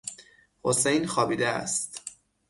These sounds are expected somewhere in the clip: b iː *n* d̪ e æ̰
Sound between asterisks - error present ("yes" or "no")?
yes